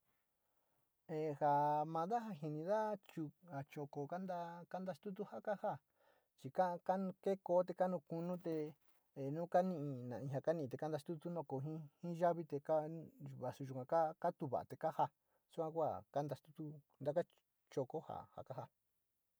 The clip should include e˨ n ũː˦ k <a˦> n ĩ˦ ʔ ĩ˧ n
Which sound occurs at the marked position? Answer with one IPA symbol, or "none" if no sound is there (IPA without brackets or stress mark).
a˦